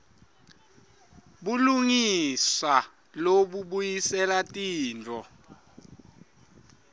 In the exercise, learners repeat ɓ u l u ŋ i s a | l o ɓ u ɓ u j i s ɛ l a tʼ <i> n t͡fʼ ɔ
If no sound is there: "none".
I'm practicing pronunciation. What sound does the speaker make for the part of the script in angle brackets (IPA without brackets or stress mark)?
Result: iː